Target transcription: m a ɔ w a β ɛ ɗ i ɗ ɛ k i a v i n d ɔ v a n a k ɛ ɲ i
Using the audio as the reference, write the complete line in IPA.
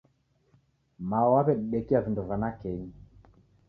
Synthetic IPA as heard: m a ɔ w a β ɛ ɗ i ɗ ɛ k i a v i n d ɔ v a n a k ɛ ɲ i